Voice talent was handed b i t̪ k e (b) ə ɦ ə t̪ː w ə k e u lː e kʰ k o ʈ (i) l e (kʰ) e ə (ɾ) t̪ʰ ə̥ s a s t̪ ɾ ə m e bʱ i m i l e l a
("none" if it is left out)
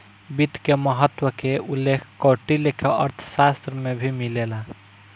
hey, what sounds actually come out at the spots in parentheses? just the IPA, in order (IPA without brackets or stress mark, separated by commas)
m, i, kʰ, ɾ